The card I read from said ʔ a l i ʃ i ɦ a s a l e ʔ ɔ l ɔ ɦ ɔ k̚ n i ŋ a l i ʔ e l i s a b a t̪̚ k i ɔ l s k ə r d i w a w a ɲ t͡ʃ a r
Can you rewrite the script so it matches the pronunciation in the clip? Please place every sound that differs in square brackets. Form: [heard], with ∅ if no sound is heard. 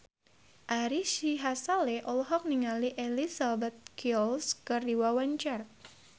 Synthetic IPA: ʔ a [ɾ] i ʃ i ɦ a s a l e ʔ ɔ l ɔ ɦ ɔ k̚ n i ŋ a l i ʔ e l i s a b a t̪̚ k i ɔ l s k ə r d i w a w a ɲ t͡ʃ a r

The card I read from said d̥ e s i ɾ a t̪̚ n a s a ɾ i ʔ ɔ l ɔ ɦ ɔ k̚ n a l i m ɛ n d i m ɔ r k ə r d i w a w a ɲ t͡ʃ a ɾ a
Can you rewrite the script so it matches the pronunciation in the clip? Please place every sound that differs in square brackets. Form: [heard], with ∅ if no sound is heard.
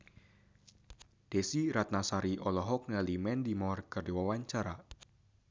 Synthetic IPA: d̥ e s i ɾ a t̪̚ n a s a ɾ i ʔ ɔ l ɔ ɦ ɔ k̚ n a l i m ɛ n d i m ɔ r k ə r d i w a w a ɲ t͡ʃ a ɾ a

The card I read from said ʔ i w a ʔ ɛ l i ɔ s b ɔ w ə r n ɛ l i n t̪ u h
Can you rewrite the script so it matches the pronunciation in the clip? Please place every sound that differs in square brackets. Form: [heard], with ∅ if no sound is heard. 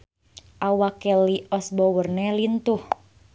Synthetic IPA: ʔ [a] w a [k] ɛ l i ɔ s b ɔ w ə r n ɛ l i n t̪ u h

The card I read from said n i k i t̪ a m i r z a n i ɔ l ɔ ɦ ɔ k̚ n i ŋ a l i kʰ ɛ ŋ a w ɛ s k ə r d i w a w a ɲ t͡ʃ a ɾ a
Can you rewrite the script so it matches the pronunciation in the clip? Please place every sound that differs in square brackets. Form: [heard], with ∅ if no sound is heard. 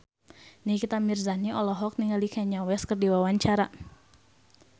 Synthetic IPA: n i k i t̪ a m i r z a n i ɔ l ɔ ɦ ɔ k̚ n i ŋ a l i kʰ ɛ [ɲ] a w ɛ s k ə r d i w a w a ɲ t͡ʃ a ɾ a

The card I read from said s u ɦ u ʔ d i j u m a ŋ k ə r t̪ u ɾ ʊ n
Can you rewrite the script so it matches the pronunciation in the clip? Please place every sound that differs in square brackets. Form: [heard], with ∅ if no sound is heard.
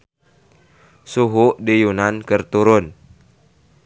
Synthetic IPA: s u ɦ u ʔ d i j u [n] a [n] k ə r t̪ u ɾ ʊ n

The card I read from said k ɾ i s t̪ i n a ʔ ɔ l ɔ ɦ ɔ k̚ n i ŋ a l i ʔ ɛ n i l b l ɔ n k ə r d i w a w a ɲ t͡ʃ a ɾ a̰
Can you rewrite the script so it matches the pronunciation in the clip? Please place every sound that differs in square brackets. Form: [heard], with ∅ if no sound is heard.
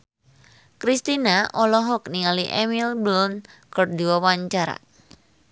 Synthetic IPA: k ɾ i s t̪ i n a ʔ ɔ l ɔ ɦ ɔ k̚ n i ŋ a l i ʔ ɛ [m] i l b l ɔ n k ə r d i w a w a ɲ t͡ʃ a ɾ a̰

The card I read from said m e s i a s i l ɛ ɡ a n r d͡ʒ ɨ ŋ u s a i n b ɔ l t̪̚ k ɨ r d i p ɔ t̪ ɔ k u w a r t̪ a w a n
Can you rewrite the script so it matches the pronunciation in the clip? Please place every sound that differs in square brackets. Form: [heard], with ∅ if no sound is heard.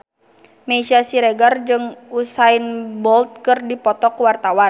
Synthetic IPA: m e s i a s i [ɾ] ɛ ɡ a [∅] r d͡ʒ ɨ ŋ u s a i n b ɔ l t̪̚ k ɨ r d i p ɔ t̪ ɔ k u w a r t̪ a w a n

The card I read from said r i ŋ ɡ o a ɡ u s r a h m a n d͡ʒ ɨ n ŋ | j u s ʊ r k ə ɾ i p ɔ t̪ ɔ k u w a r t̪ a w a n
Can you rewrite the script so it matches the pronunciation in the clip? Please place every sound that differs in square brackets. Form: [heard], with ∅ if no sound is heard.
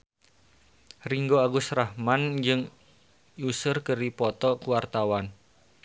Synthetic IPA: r i ŋ ɡ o a ɡ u s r a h m a n d͡ʒ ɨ [∅] ŋ | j u s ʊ r k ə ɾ i p ɔ t̪ ɔ k u w a r t̪ a w a n

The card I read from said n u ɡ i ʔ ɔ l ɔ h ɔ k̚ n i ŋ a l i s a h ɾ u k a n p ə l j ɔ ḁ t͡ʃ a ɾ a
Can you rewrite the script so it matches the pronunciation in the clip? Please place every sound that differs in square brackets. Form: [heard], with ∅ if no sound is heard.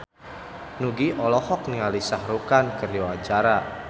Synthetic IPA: n u ɡ i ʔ ɔ l ɔ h ɔ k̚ n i ŋ a l i s a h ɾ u k a n [k] ə [r] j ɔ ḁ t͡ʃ a ɾ a

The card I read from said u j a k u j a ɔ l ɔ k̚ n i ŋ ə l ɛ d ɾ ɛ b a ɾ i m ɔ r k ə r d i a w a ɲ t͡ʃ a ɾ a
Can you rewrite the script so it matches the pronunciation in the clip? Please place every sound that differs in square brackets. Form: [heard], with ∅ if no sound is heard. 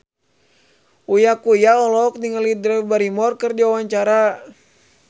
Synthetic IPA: u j a k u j a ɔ l ɔ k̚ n i ŋ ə l [i] d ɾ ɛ b a ɾ i m ɔ r k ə r d i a w a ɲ t͡ʃ a ɾ a

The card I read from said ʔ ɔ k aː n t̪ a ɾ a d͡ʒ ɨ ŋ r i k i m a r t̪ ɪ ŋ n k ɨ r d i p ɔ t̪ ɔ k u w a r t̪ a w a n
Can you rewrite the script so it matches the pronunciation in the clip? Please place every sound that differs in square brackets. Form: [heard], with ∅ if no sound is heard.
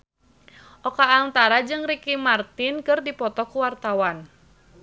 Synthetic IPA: ʔ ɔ k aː n t̪ a ɾ a d͡ʒ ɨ ŋ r i k i m a r t̪ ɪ [∅] n k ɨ r d i p ɔ t̪ ɔ k u w a r t̪ a w a n

